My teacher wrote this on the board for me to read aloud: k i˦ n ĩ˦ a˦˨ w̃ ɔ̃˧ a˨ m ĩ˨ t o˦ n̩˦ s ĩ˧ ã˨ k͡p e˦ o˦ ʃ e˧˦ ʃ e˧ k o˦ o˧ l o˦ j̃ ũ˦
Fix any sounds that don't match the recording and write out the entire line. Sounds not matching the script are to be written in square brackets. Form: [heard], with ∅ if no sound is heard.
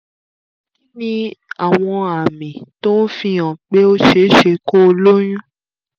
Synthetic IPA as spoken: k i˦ n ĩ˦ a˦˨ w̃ ɔ̃˧ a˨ m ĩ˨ t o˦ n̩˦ [f] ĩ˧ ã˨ k͡p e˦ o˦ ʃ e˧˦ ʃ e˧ k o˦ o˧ l o˦ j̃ ũ˦